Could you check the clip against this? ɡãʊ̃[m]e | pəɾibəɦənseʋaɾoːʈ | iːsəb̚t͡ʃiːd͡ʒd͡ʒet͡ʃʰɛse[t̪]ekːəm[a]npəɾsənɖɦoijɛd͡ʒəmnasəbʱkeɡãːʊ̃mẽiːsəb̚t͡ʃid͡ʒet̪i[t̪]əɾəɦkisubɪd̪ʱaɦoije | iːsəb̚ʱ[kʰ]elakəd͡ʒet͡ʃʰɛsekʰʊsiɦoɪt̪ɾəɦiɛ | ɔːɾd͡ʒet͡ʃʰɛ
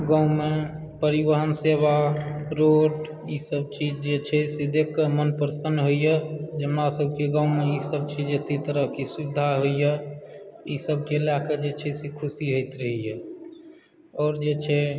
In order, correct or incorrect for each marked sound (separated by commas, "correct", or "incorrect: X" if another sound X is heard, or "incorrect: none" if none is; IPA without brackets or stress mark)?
correct, incorrect: d̪, incorrect: ə, correct, incorrect: k